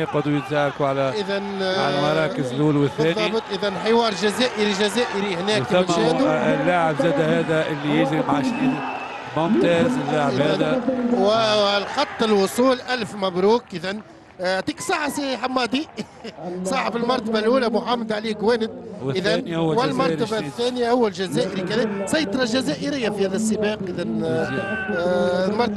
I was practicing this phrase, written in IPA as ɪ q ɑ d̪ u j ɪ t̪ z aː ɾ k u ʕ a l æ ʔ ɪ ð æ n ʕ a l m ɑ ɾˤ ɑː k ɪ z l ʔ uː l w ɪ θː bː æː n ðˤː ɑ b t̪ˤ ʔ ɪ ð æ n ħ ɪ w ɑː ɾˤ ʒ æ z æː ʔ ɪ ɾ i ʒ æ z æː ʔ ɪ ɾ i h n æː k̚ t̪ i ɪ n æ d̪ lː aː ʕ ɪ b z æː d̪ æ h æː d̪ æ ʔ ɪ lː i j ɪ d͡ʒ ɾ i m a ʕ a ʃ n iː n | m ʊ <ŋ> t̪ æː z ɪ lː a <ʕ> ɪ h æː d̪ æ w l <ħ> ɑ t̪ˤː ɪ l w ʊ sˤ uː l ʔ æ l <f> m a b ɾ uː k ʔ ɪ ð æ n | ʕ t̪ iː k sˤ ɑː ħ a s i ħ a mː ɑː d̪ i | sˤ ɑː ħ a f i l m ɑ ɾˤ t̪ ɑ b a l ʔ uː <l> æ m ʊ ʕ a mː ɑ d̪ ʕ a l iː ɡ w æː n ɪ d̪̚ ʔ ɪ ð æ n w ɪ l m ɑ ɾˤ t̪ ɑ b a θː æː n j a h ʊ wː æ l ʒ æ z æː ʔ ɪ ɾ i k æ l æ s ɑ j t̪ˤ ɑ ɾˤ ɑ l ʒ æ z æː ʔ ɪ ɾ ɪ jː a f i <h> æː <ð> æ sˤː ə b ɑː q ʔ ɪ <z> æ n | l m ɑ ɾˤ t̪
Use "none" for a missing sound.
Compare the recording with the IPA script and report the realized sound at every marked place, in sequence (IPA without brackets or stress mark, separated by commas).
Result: m, ʕ, x, f, l, h, ð, ð